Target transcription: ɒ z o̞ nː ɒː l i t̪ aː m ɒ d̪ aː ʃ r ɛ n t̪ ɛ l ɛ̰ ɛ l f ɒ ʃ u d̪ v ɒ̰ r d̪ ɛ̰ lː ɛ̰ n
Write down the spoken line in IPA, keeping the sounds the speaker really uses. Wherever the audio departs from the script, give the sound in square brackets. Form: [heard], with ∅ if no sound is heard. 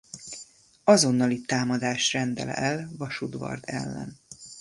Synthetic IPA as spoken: ɒ z o̞ nː [ɒ] l i t̪ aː m ɒ d̪ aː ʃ r ɛ n [d̪] ɛ l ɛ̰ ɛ l [v] ɒ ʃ u d̪ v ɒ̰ r d̪ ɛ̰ lː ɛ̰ n